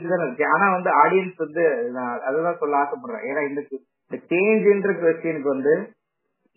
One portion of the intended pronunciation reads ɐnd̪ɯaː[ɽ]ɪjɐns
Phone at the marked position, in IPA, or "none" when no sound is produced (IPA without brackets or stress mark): ɽ